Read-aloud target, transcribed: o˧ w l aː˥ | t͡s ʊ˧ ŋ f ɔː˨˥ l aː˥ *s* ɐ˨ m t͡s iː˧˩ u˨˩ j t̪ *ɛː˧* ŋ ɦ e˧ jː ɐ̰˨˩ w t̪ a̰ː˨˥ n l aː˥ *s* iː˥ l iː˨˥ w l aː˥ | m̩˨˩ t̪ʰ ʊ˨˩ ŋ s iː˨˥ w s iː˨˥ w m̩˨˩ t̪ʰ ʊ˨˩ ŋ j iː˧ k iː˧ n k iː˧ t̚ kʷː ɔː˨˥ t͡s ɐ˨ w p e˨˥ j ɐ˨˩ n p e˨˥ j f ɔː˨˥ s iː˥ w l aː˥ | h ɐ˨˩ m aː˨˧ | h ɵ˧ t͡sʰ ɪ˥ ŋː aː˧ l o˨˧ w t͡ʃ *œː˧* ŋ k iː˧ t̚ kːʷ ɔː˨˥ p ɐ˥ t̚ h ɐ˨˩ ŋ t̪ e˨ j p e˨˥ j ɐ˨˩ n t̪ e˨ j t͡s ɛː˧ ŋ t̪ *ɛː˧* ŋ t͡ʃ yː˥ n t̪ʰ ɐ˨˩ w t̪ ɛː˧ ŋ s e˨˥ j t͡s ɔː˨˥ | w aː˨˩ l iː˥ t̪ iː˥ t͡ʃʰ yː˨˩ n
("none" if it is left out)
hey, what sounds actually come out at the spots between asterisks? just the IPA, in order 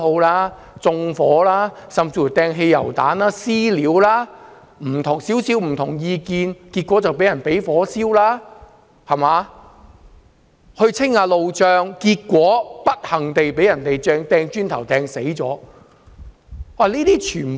s, ɛː˧, s, œː˧, ɛː˧

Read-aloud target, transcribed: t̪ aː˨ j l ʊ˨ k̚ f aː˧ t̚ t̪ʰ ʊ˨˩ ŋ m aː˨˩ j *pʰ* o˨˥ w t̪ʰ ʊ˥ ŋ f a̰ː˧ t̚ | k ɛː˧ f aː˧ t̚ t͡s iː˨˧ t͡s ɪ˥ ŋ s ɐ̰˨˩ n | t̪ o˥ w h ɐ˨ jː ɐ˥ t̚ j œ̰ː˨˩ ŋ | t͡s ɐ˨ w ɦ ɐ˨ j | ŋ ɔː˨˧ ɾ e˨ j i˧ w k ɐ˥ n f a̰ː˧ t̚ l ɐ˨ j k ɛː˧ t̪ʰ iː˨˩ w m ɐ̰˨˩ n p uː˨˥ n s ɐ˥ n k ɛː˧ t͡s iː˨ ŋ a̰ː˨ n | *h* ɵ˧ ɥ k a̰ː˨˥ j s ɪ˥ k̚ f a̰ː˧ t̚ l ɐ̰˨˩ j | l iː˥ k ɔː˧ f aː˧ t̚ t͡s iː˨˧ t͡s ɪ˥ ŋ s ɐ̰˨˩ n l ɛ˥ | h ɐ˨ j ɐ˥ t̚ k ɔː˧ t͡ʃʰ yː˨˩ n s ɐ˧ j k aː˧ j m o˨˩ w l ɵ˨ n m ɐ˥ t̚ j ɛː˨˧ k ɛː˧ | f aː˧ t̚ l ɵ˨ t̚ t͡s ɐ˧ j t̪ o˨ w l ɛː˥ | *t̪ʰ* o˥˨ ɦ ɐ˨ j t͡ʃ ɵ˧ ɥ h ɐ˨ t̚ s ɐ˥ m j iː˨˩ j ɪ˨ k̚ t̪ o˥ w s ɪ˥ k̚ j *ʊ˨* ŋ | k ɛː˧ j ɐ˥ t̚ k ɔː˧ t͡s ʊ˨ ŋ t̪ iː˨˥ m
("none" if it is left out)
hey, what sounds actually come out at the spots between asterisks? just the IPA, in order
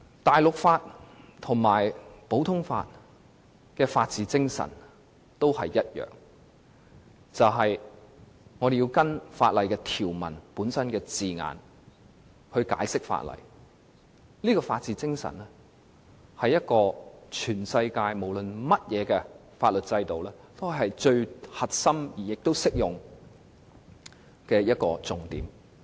p, h, t̪, ʊ˨

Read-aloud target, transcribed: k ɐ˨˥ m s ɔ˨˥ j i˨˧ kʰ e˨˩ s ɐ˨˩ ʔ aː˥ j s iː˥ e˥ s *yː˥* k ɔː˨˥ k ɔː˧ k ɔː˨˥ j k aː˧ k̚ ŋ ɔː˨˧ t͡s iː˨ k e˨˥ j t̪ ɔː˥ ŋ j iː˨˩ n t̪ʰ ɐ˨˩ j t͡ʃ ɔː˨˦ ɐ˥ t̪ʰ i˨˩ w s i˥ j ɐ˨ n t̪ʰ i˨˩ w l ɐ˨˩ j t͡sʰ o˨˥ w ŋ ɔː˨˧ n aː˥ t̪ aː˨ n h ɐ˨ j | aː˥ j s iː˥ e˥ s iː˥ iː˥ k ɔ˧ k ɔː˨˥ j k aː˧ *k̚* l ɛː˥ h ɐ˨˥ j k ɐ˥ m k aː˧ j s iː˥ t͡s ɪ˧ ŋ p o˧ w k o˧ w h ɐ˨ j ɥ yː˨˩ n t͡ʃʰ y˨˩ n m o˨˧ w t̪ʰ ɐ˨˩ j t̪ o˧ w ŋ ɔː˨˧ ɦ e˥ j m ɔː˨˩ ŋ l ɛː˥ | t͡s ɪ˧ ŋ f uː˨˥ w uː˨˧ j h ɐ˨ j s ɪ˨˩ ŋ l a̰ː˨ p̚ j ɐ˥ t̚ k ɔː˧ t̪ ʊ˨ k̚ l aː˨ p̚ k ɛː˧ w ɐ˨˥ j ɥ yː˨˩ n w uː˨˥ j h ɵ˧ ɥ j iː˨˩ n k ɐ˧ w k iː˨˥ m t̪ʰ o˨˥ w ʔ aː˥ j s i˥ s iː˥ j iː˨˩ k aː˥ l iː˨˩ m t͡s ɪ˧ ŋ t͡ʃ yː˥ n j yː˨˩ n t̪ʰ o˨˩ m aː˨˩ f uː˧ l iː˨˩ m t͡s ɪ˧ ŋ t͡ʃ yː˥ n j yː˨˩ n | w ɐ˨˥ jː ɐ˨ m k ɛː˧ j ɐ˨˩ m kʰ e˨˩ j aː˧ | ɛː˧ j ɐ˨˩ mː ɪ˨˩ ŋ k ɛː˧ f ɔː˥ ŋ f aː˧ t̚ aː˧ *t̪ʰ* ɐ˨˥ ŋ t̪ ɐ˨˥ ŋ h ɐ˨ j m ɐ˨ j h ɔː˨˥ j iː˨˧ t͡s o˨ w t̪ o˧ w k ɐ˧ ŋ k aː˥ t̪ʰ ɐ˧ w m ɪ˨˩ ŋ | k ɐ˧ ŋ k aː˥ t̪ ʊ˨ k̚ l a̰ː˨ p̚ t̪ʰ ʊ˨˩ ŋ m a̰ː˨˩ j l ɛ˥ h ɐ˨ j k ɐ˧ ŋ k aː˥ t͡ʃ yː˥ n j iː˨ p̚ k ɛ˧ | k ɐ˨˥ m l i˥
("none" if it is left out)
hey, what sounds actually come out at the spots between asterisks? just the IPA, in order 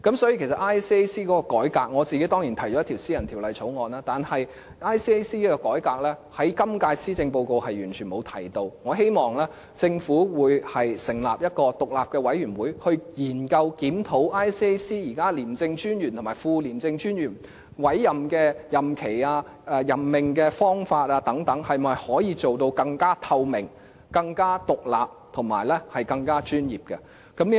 iː˥, k̚, t̪

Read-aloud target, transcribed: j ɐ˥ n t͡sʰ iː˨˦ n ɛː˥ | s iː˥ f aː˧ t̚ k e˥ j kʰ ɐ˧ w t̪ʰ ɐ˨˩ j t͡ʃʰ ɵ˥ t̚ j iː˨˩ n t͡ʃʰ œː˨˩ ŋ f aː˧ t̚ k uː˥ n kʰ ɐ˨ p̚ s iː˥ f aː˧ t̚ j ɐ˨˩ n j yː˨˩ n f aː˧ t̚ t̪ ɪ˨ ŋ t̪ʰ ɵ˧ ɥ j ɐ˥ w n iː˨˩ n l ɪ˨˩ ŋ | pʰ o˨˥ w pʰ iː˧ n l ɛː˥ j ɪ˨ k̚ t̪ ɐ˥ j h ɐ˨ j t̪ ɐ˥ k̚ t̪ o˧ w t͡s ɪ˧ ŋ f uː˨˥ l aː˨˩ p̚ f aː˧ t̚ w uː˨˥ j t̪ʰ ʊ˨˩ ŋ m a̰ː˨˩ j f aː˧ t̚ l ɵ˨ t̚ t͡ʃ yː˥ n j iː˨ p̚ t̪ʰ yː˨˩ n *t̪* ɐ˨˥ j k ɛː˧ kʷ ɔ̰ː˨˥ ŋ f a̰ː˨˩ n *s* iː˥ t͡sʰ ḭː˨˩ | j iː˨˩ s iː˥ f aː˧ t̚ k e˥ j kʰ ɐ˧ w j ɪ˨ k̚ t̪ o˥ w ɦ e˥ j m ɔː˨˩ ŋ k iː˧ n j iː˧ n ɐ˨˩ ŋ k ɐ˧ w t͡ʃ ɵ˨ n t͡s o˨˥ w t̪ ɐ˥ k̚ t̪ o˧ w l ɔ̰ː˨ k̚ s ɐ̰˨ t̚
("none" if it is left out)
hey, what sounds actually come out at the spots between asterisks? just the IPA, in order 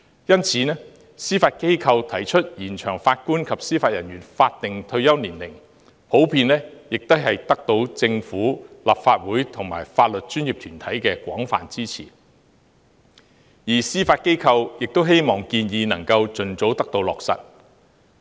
t̪ʰ, t͡s

